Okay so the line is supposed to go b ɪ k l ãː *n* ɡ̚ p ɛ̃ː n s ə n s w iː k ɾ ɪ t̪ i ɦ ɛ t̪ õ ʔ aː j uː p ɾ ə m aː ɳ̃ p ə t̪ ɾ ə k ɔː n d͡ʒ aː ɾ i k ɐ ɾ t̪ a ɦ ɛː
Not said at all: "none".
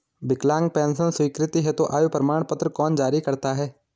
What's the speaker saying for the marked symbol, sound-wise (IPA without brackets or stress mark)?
ŋ